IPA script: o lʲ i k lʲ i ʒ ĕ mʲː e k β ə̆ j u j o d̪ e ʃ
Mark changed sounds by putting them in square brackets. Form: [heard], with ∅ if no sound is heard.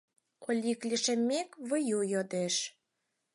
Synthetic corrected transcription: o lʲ i k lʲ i [ʃ] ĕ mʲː e k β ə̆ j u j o d̪ e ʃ